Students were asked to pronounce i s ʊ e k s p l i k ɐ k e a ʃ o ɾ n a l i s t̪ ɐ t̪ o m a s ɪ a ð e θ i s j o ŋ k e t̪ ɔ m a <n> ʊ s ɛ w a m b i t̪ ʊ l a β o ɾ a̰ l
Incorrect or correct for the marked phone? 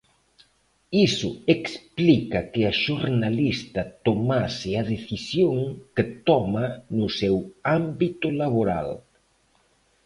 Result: correct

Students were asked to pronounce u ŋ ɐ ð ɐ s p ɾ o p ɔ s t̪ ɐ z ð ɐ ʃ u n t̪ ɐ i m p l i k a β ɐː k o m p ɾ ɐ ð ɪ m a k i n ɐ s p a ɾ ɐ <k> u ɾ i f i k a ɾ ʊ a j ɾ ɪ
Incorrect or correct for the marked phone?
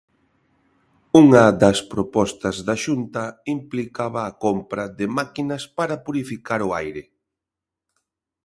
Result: incorrect: p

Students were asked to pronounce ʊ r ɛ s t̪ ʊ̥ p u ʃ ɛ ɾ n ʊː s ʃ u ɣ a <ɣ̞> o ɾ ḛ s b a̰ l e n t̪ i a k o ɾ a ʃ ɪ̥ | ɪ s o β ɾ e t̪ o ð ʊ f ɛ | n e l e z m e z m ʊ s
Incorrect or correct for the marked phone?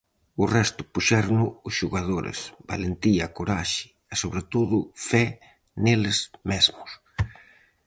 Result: incorrect: ð̞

